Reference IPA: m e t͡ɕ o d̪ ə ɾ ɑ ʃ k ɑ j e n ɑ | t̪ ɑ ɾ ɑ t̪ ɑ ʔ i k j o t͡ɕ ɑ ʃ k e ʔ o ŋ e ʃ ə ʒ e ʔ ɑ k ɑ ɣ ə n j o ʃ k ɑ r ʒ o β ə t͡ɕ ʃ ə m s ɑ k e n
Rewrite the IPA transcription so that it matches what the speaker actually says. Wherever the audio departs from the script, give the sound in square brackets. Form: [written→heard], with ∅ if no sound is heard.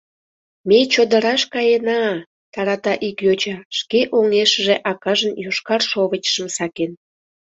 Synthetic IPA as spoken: m e t͡ɕ o d̪ ə ɾ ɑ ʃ k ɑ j e n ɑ | t̪ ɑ ɾ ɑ t̪ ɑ ʔ i k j o t͡ɕ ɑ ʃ k e ʔ o ŋ e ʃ ə ʒ e ʔ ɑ k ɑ [ɣ→ʒ] ə n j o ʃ k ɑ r [ʒ→ʃ] o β ə t͡ɕ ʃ ə m s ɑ k e n